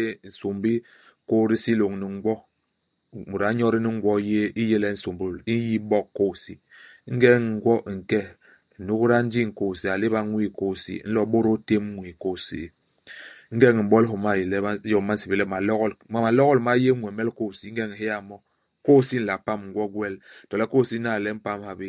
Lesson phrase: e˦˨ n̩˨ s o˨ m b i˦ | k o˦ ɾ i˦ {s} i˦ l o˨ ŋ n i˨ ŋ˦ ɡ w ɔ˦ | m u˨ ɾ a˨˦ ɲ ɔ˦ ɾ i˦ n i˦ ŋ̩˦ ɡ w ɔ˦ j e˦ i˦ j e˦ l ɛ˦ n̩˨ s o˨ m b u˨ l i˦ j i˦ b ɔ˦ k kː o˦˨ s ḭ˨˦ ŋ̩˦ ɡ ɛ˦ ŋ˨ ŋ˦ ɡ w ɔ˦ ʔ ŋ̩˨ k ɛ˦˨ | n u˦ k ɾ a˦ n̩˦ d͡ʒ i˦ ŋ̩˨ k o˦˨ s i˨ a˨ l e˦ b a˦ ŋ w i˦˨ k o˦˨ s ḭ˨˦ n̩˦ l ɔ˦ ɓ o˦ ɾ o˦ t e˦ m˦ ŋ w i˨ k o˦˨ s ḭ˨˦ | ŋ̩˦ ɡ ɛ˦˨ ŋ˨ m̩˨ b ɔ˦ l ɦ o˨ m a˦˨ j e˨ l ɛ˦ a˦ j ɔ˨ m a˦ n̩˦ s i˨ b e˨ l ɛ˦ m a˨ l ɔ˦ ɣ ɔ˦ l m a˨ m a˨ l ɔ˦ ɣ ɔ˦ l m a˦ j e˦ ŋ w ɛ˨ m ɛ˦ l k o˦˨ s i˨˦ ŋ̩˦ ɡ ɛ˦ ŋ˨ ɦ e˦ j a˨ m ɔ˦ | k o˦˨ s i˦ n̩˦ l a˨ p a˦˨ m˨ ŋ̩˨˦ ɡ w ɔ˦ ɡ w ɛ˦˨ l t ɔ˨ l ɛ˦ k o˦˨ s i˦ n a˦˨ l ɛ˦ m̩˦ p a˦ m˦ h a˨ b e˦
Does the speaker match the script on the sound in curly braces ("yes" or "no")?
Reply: yes